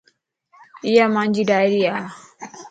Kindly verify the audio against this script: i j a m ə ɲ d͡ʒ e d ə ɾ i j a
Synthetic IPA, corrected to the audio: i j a m a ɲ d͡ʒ i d a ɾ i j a